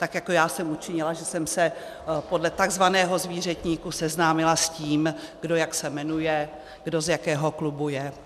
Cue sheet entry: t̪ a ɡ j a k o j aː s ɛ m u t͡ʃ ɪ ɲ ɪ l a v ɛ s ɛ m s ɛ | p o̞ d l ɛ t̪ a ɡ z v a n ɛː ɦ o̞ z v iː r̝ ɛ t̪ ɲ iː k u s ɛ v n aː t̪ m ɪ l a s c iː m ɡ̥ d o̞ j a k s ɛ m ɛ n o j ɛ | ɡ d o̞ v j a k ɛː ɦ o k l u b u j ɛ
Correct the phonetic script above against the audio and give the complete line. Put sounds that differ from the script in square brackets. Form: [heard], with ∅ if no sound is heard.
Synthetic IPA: t̪ a [k] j a k o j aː s ɛ m u t͡ʃ ɪ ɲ ɪ l a [ʒ] ɛ s ɛ m s ɛ | p o̞ d l ɛ t̪ a ɡ z v a n ɛː ɦ o̞ z v iː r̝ ɛ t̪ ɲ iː k u s ɛ [z] n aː [∅] m ɪ l a s c iː m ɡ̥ d o̞ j a k s ɛ m ɛ n [u] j ɛ | ɡ d o̞ [z] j a k ɛː ɦ o k l u b u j ɛ